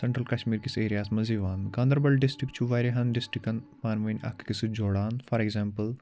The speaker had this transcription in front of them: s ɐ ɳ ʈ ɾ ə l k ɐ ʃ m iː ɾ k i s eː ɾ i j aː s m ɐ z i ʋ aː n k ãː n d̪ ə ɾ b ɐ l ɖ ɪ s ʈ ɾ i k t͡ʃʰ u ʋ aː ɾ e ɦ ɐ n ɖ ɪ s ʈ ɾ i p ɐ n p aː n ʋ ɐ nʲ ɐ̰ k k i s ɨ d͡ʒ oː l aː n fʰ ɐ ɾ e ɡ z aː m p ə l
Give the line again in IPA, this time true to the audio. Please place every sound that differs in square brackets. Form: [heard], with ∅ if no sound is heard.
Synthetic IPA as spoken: s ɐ ɳ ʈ ɾ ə l k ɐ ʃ m iː ɾ k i s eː ɾ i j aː s m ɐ z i ʋ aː n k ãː n d̪ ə ɾ b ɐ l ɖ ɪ s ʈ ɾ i k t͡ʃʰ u ʋ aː ɾ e ɦ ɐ n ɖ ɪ s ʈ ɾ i [k] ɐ n p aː n ʋ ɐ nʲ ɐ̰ k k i s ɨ d͡ʒ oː [ɽ] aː n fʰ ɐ ɾ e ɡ z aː m p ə l